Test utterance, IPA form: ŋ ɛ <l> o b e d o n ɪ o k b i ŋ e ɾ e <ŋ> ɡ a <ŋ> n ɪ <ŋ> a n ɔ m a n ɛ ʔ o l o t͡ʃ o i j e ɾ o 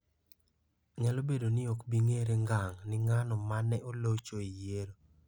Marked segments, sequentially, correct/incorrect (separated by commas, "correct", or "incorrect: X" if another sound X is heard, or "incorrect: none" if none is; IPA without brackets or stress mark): correct, correct, correct, correct